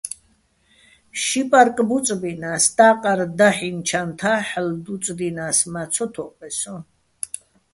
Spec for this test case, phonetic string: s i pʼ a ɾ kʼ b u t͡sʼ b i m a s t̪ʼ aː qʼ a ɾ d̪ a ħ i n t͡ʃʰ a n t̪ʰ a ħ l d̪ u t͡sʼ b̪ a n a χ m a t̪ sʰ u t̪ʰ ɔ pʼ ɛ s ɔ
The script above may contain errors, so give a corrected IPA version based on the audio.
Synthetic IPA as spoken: ʃ i pʼ a ɾ kʼ b u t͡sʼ b i n a s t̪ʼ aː qʼ a ɾ d̪ a ħ i n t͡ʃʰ a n t̪ʰ a ħ l d̪ u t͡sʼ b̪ i n a s m a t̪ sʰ ɔ t̪ʰ ɔ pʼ ɛ s ɔ

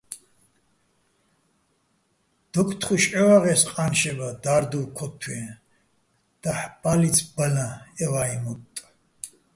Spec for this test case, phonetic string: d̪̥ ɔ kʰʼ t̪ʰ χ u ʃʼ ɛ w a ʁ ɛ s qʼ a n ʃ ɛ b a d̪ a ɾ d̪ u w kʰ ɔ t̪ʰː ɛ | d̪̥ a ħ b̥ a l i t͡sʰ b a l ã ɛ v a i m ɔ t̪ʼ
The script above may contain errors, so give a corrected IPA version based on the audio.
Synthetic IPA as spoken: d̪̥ ɔ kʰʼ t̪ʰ χ u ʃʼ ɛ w a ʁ ɛ s qʼ a n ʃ ɛ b a d̪ a ɾ d̪ u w kʰ ɔ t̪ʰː ɛ | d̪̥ a ħ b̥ a l i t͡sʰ b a l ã ɛ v a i m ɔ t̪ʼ

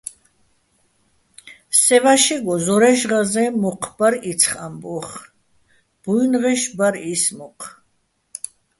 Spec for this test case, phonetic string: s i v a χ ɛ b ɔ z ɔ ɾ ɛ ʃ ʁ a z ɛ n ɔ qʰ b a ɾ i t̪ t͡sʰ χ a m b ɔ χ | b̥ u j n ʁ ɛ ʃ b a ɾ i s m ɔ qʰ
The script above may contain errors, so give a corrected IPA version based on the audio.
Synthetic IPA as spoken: s ɛ v a ʃ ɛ ɡ ɔ z ɔ ɾ ɛ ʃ ʁ a z ɛ m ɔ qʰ b a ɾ i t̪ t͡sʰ χ a m b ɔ χ | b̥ u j n ʁ ɛ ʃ b a ɾ i s m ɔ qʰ

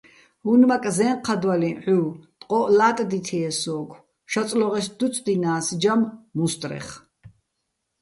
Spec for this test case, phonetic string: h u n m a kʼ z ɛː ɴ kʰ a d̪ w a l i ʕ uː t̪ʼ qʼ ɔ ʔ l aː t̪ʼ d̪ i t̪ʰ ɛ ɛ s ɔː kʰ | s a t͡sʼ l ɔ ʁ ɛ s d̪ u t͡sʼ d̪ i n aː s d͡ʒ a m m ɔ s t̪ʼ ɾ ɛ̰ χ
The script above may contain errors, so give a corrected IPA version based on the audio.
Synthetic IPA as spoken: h u n m a kʼ z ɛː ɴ qʰ a d̪ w a l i ʕ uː t̪ʼ qʼ ɔ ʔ l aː t̪ʼ d̪ i t̪ʰ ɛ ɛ s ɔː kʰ | ʃ a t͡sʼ l ɔ ʁ ɛ s d̪ u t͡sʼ d̪ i n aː s d͡ʒ a m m u s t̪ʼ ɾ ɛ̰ χ

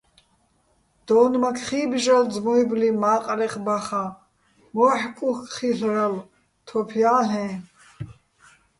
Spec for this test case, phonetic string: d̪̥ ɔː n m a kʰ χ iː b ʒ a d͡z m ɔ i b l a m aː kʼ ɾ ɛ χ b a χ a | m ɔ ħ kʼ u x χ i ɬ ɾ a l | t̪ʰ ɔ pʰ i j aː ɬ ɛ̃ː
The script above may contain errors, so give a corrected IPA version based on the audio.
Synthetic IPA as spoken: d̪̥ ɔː n m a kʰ χ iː b ʒ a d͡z m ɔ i b l i m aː qʼ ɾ ɛ χ b a χ a | m ɔ ħ kʼ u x χ i ɬ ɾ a l | t̪ʰ ɔ pʰ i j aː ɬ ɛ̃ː

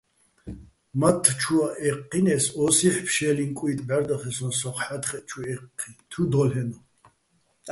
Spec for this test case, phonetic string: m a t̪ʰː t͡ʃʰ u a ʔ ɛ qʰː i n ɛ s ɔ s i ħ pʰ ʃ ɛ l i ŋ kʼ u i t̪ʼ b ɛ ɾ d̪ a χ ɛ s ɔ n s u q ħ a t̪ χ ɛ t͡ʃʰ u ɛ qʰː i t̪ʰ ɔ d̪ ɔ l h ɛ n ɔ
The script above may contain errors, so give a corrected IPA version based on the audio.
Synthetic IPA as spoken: m a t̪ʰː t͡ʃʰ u a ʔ ɛ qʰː i n ɛ s ɔ s i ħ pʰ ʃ ɛ l i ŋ kʼ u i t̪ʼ b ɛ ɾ d̪ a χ ɛ s ɔ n s ɔ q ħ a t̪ χ ɛ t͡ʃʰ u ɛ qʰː i t̪ʰ u d̪ ɔ l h ɛ n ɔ

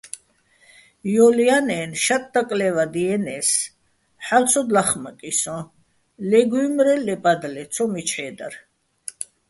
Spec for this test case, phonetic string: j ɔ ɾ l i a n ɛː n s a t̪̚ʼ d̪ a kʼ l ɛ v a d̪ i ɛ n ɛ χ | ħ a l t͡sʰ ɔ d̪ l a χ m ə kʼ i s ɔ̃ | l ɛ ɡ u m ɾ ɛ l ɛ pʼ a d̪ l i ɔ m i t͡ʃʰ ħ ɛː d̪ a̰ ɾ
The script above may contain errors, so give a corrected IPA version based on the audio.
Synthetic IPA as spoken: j ɔ l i a n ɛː n ʃ a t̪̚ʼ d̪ a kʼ l ɛ v a d̪ i ɛ n ɛ s | ħ a l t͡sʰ ɔ d̪ l a χ m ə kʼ i s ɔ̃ | l ɛ ɡ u m ɾ ɛ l ɛ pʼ a d̪ l ɛ ɔ m i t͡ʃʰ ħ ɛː d̪ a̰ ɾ

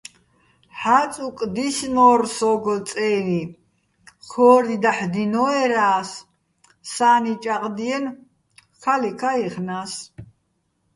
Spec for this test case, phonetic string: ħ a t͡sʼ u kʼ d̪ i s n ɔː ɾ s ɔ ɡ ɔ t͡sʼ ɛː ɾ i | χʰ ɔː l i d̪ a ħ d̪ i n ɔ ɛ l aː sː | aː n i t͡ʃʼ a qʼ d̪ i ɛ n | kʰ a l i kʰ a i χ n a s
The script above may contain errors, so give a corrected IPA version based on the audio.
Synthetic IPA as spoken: ħ a t͡sʼ u kʼ d̪ i s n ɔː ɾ s ɔ ɡ ɔ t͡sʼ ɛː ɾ i | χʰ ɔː ɾ i d̪ a ħ d̪ i n ɔ ɛ ɾ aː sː | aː n i t͡ʃʼ a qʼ d̪ i ɛ n | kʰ a l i kʰ a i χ n a s

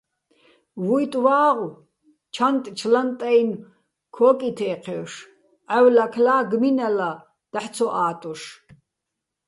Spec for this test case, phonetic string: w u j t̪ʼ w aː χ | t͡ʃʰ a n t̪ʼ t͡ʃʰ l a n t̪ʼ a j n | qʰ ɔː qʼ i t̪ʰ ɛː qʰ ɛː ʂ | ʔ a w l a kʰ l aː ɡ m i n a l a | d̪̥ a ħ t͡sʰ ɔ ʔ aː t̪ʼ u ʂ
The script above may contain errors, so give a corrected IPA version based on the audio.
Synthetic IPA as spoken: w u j t̪ʼ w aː ʁ | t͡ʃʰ a n t̪ʼ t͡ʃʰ l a n t̪ʼ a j n | kʰ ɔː kʼ i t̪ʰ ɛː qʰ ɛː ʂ | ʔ a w l a kʰ l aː ɡ m i n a l a | d̪̥ a ħ t͡sʰ ɔ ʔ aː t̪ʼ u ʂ

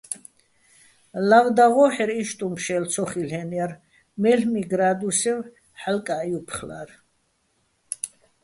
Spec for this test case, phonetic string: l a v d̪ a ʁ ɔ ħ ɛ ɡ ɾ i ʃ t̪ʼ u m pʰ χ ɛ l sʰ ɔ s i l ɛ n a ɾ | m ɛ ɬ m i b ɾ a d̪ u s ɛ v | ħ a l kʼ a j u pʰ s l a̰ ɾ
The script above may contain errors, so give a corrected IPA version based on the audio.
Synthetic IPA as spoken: l a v d̪ a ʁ ɔ ħ ɛ ɾ i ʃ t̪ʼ u m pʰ ʃ ɛ l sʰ ɔ χ i l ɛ n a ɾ | m ɛ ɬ m i ɡ ɾ a d̪ u s ɛ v | ħ a l kʼ a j u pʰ χ l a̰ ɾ

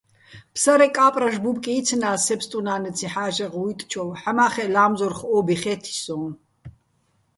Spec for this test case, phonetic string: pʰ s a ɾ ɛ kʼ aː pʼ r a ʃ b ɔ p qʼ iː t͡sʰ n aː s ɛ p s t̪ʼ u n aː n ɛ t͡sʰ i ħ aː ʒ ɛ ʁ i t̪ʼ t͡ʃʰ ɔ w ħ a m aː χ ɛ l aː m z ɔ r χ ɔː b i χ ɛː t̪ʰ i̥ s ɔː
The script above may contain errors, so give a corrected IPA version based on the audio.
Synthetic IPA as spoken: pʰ s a ɾ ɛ kʼ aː pʼ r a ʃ b u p kʼ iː t͡sʰ n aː s ɛ p s t̪ʼ u n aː n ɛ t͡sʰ i ħ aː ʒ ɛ ʁ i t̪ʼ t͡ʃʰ ɔ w ħ a m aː χ ɛ l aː m z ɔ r χ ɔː b i χ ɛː t̪ʰ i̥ s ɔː

